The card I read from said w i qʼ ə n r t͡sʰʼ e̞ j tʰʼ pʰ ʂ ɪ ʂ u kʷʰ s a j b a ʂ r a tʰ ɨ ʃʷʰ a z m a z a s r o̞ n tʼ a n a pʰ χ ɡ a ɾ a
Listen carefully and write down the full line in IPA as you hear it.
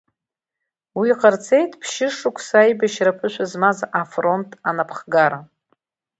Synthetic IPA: w i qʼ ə r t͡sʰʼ e̞ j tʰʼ pʰ ʃ ɪ ʂ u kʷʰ s a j b a ʃ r a pʰ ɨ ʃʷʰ a z m a z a f r o̞ n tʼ a n a pʰ χ ɡ a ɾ a